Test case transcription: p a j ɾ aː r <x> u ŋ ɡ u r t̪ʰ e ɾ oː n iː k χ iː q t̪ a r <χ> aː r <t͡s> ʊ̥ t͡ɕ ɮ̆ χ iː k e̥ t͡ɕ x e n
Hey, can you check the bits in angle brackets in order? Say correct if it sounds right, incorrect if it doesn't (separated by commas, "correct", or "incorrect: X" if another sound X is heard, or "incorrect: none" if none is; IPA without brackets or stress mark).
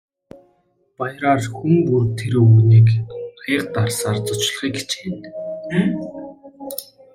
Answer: correct, incorrect: s, correct